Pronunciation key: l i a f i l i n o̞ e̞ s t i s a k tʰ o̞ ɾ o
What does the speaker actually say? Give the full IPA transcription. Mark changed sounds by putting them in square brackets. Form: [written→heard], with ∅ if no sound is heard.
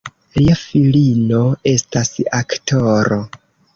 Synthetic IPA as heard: l i a f i l i n o̞ e̞ s t [i→a] s a k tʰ o̞ ɾ o